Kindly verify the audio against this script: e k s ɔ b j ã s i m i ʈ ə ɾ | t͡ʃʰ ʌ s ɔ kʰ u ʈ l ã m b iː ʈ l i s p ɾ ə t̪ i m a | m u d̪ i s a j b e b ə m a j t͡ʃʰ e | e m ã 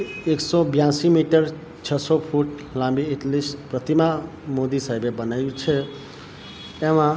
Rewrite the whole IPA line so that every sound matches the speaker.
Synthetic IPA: e k s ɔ b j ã s i m i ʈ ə ɾ | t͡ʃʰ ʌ s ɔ pʰ u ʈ l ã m b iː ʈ l i s p ɾ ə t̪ i m a | m o d̪ i s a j b e b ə n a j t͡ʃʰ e | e m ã

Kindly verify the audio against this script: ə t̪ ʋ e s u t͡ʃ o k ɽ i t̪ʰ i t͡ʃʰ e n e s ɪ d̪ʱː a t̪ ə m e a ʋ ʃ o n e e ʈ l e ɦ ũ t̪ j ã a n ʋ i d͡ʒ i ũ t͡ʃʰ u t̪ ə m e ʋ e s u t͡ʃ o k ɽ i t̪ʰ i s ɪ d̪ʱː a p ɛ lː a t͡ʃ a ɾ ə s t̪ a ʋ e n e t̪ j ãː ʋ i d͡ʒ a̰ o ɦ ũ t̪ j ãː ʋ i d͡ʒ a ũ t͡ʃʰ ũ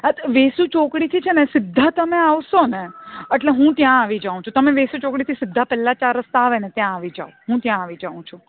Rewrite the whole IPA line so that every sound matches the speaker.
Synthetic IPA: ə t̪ ʋ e s u t͡ʃ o k ɽ i t̪ʰ i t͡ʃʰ e n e s ɪ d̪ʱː a t̪ ə m e a ʋ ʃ o n e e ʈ l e ɦ ũ t̪ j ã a ʋ i d͡ʒ a ũ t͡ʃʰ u t̪ ə m e ʋ e s u t͡ʃ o k ɽ i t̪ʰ i s ɪ d̪ʱː a p ɛ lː a t͡ʃ a ɾ ə s t̪ a ʋ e n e t̪ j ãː ʋ i d͡ʒ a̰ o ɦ ũ t̪ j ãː ʋ i d͡ʒ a ũ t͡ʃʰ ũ

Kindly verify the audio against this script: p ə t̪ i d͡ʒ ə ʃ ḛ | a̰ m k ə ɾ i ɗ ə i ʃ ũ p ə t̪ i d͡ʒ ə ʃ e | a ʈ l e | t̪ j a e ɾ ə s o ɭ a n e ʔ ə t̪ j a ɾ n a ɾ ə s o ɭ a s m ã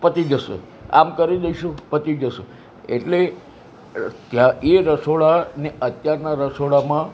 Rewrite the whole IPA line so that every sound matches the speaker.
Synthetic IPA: p ə t̪ i d͡ʒ ə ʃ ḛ | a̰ m k ə ɾ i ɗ ə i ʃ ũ p ə t̪ i d͡ʒ ə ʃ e | e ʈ l e | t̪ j a e ɾ ə s o ɭ a n e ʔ ə t̪ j a ɾ n a ɾ ə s o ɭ a m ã

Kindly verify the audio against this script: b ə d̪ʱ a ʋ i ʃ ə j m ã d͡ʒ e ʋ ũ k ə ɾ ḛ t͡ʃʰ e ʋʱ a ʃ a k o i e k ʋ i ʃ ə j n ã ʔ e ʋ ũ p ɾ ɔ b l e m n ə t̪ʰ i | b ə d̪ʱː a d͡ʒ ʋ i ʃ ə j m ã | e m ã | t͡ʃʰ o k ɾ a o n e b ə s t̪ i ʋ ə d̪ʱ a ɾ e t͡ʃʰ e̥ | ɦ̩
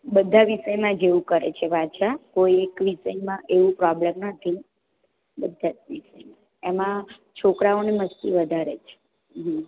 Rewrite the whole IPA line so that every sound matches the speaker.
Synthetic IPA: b ə d̪ʱ a ʋ i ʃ ə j m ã d͡ʒ e ʋ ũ k ə ɾ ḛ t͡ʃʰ e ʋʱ a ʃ a k o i e k ʋ i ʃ ə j m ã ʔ e ʋ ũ p ɾ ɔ b l e m n ə t̪ʰ i | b ə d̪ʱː a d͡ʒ ʋ i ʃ ə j m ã | e m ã | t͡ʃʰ o k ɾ a o n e m ə s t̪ i ʋ ə d̪ʱ a ɾ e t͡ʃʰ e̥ | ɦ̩

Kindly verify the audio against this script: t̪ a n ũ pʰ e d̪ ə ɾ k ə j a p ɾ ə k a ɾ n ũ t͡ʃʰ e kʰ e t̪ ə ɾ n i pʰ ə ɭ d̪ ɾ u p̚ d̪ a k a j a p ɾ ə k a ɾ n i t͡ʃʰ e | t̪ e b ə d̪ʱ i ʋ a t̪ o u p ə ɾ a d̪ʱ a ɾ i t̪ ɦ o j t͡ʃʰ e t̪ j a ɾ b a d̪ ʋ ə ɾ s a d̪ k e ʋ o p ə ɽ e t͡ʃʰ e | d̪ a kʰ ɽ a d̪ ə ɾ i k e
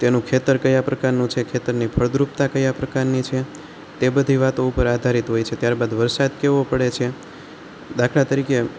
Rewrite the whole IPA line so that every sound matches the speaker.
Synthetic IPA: t̪ e n ũ kʰ e t̪ ə ɾ k ə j a p ɾ ə k a ɾ n ũ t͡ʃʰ e kʰ e t̪ ə ɾ n i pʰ ə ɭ d̪ ɾ u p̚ t̪ a k ə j a p ɾ ə k a ɾ n i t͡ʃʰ e | t̪ e b ə d̪ʱ i ʋ a t̪ o u p ə ɾ a d̪ʱ a ɾ i t̪ ɦ o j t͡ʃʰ e t̪ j a ɾ b a d̪ ʋ ə ɾ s a d̪ k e ʋ o p ə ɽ e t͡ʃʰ e | d̪ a kʰ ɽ a t̪ ə ɾ i k e

